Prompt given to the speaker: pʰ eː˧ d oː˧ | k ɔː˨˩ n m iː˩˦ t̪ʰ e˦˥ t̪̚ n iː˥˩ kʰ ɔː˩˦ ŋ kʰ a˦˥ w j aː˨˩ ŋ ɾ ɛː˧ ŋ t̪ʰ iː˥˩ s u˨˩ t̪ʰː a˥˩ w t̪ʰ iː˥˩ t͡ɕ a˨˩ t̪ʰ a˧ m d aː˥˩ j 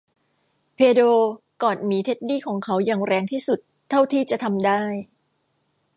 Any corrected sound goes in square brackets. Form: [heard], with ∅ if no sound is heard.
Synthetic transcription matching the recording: pʰ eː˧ d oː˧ | k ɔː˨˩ n m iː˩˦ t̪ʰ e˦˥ t̪̚ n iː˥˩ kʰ ɔː˩˦ ŋ kʰ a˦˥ w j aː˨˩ ŋ ɾ ɛː˧ ŋ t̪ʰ iː˥˩ s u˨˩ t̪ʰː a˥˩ w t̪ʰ iː˥˩ t͡ɕ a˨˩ t̪ʰ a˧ m d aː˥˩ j